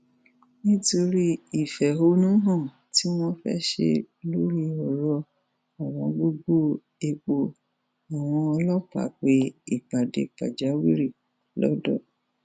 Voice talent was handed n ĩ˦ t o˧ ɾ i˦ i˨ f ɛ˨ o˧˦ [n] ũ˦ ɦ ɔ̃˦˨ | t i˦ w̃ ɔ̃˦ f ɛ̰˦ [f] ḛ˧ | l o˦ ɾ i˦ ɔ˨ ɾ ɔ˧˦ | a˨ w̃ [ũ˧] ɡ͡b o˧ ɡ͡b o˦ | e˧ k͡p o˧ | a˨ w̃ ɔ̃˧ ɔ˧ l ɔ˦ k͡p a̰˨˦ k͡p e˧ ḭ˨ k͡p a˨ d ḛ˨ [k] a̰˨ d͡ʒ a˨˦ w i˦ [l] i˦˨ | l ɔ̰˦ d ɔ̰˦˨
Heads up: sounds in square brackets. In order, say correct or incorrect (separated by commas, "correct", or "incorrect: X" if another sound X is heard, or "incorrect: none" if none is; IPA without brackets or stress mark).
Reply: correct, incorrect: ʃ, incorrect: ɔ̃˧, incorrect: k͡p, incorrect: ɾ